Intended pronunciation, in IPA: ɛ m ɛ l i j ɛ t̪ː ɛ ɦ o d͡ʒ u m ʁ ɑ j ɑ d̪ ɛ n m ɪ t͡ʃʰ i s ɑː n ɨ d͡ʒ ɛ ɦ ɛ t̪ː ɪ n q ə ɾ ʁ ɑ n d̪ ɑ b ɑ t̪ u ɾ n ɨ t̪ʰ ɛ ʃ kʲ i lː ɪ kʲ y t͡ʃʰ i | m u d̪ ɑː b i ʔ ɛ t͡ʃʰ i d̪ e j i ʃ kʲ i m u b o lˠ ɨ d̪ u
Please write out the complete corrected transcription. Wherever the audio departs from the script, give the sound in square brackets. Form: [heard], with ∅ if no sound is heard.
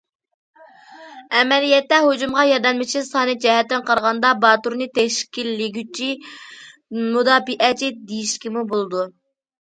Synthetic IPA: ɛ m ɛ l i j ɛ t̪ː ɛ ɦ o d͡ʒ u m ʁ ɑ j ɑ d̪ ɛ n m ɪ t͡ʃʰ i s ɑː n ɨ d͡ʒ ɛ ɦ ɛ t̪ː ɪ n q [ɑ] ɾ ʁ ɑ n d̪ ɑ b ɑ t̪ u ɾ n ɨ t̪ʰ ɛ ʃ kʲ i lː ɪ [ɡʲ] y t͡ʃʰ i | m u d̪ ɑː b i ʔ ɛ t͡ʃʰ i d̪ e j i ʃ kʲ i m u b o lˠ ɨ d̪ u